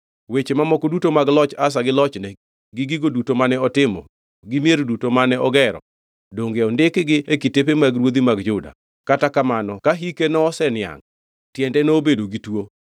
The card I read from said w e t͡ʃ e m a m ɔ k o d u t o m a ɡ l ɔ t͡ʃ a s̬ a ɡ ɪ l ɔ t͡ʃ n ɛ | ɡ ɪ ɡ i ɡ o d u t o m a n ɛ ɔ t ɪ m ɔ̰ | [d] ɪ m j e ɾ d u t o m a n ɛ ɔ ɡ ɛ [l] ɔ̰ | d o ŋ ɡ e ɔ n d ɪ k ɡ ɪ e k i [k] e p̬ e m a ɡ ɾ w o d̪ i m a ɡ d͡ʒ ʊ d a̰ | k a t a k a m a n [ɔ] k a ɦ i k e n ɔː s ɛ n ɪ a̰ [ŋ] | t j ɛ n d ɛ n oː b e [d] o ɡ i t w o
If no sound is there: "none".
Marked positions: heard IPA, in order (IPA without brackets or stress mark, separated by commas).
ɡ, ɾ, t, ɔ, ŋ, d